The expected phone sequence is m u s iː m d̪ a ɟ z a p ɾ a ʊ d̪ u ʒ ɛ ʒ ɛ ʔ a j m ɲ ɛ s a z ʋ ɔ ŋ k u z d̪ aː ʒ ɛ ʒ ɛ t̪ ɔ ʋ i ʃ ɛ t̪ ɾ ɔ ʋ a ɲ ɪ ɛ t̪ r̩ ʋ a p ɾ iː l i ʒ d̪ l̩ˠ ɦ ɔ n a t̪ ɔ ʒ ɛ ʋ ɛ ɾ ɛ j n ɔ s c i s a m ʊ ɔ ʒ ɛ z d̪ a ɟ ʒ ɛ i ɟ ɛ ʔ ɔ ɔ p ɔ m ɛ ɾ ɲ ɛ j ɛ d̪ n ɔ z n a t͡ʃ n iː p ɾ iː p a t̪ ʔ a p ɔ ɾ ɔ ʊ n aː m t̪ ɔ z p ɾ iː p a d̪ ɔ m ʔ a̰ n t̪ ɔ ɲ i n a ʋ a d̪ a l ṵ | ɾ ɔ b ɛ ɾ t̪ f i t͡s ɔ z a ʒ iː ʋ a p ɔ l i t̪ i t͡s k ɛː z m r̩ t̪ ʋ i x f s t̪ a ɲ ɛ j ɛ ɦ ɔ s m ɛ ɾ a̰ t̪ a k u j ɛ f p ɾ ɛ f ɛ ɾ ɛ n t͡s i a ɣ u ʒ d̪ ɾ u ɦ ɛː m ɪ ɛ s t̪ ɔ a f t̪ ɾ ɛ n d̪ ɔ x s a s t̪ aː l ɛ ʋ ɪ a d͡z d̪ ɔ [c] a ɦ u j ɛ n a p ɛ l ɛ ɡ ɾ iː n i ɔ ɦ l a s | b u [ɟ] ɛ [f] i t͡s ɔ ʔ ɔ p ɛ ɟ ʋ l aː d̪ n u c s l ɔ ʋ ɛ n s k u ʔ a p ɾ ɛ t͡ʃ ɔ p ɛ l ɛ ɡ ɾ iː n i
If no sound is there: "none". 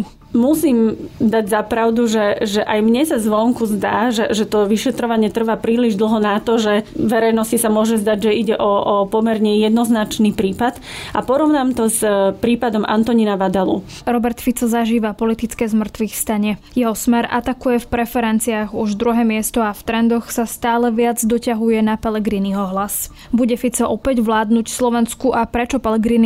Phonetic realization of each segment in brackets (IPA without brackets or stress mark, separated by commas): c, ɟ, f